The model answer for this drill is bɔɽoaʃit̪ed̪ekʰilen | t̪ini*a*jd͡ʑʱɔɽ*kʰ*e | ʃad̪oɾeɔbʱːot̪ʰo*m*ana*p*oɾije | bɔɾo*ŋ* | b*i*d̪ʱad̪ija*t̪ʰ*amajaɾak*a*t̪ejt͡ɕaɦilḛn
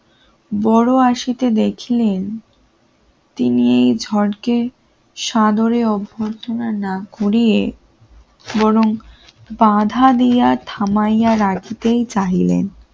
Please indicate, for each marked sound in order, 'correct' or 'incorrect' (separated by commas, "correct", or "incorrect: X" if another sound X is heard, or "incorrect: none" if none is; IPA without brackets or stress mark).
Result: incorrect: e, incorrect: k, incorrect: n, incorrect: k, correct, incorrect: a, correct, incorrect: i